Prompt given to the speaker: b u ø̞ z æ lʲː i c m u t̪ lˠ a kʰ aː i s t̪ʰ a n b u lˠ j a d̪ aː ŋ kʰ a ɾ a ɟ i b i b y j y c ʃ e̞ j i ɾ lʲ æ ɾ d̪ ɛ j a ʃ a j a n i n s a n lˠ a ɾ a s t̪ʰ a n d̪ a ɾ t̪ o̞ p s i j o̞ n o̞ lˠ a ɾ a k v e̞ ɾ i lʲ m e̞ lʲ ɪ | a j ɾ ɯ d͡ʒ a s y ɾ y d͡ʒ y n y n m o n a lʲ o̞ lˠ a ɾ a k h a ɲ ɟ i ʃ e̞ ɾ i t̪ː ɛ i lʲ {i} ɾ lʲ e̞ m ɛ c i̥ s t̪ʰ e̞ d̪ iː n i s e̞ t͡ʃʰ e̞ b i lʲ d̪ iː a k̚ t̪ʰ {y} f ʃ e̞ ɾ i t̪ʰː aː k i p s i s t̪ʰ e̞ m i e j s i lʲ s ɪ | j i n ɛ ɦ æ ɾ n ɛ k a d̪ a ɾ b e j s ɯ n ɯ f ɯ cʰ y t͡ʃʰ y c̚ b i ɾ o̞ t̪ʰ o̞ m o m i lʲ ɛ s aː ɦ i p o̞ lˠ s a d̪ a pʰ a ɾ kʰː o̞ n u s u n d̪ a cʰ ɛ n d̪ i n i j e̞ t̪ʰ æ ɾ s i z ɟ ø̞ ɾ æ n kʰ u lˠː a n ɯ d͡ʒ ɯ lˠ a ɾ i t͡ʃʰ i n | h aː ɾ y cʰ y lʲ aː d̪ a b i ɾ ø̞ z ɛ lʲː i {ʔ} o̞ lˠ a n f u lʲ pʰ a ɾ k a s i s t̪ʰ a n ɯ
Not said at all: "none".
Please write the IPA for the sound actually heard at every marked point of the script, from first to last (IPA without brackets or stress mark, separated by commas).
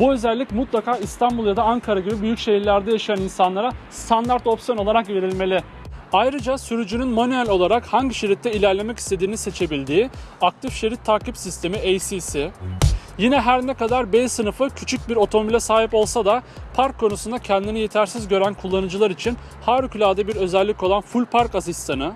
æ, i, c